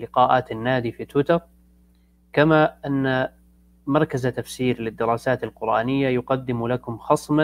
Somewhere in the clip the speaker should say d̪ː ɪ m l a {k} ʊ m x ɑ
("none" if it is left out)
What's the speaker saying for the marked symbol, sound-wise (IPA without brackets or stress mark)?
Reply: k